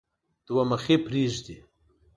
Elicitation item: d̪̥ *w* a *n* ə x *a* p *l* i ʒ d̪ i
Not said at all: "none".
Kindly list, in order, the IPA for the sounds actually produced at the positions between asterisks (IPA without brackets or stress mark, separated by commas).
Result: w, m, e, ɾ